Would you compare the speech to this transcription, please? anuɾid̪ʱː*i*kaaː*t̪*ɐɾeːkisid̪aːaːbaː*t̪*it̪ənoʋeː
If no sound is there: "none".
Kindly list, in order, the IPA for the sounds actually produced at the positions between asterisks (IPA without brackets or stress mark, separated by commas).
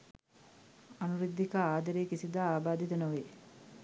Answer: i, d̪, d̪